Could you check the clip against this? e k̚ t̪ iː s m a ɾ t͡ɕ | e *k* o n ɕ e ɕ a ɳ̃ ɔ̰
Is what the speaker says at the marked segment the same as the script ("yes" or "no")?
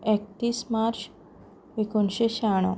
yes